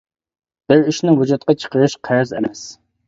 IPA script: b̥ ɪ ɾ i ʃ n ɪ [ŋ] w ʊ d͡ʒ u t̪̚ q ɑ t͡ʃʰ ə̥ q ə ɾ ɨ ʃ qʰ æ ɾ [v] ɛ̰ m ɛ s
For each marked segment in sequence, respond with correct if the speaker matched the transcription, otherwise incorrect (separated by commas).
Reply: correct, incorrect